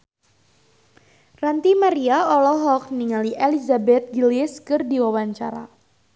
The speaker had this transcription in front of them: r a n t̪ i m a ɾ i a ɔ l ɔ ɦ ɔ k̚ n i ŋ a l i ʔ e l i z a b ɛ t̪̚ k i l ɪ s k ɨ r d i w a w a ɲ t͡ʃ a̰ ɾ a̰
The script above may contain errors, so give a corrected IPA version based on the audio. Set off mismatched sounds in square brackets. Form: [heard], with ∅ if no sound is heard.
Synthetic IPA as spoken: r a n t̪ i m a ɾ i a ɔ l ɔ ɦ ɔ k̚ n i ŋ a l i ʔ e l i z a b ɛ t̪̚ [ɡ] i l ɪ s k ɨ r d i w a w a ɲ t͡ʃ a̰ ɾ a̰